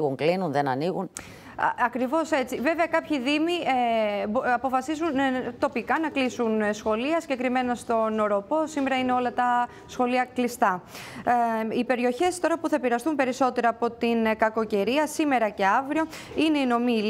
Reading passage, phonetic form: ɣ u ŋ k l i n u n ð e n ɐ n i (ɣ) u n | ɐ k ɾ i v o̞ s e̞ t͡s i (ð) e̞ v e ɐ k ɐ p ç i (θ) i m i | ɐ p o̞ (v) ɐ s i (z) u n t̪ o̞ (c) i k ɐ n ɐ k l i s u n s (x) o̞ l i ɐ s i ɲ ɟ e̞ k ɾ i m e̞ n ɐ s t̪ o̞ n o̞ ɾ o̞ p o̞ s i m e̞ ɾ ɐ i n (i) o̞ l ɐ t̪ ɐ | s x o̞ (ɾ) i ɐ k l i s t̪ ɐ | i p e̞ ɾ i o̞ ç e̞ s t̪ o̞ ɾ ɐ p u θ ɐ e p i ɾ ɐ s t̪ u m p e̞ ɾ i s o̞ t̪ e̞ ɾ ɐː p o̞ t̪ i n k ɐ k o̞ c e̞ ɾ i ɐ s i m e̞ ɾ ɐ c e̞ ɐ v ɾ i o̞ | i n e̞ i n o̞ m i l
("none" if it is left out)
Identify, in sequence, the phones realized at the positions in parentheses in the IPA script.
ɣ, v, ð, f, z, p, x, e, l

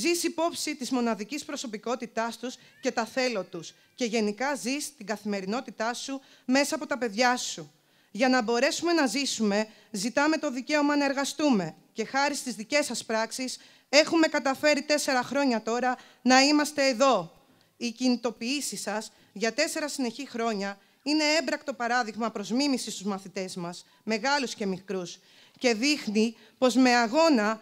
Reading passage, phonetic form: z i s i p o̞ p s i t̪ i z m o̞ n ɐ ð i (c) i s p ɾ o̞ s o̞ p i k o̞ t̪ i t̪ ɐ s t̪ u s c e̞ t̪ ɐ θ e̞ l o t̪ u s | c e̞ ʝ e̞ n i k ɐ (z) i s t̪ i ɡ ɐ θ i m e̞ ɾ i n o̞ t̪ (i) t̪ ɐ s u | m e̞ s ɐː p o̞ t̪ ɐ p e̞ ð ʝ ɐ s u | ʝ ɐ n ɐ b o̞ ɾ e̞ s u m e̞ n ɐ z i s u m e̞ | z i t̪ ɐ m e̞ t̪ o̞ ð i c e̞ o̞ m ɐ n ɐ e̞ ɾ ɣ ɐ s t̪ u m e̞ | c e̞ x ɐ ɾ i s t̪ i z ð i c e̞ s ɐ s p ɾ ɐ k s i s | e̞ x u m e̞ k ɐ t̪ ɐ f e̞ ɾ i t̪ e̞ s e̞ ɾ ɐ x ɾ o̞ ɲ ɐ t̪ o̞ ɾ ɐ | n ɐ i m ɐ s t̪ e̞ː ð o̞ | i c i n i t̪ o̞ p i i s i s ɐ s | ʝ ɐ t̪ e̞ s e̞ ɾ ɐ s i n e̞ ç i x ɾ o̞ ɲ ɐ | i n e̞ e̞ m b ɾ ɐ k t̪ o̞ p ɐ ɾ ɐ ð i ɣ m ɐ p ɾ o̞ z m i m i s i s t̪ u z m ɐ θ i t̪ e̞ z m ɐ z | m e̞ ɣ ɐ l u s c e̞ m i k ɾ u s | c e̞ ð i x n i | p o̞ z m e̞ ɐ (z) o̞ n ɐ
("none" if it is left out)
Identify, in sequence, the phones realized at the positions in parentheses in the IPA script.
c, z, i, ɣ

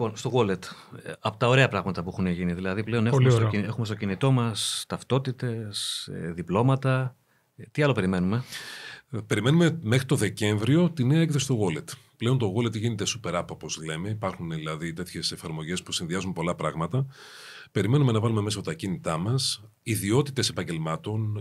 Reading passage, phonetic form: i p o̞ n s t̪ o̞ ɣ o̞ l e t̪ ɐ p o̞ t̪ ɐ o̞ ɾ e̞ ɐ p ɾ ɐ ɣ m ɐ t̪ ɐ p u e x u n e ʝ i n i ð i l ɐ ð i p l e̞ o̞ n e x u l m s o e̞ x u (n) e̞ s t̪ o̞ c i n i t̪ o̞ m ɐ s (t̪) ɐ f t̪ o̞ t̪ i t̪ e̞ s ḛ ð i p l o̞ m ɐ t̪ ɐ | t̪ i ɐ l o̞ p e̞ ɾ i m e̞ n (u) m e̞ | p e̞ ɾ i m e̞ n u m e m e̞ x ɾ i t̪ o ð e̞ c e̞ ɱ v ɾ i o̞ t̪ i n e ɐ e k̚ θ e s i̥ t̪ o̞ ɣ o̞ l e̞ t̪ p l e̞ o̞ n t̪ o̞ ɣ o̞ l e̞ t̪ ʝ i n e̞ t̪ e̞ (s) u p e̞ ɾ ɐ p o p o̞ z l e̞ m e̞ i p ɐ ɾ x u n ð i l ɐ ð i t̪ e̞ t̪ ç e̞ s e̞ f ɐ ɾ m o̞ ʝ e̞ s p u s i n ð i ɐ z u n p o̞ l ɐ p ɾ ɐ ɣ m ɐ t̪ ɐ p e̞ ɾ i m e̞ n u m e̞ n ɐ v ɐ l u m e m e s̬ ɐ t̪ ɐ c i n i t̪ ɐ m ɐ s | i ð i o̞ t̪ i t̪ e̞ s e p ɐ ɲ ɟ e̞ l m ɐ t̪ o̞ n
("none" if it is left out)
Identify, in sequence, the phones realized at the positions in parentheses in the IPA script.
m, t̪, u, s

